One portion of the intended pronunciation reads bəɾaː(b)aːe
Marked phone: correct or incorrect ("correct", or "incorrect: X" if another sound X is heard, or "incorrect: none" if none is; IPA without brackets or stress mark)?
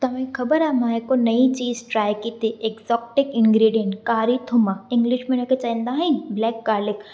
incorrect: m